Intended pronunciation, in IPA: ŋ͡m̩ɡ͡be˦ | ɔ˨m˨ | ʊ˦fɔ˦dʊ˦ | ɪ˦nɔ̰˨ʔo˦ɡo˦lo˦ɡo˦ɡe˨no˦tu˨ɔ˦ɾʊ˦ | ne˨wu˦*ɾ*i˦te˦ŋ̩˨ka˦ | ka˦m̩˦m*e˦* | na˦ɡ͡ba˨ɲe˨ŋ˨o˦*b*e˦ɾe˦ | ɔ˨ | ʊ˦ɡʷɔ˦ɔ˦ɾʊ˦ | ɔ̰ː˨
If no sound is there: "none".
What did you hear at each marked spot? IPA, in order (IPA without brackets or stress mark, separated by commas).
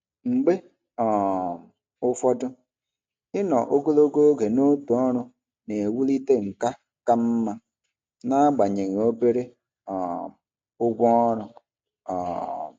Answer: l, a˦, b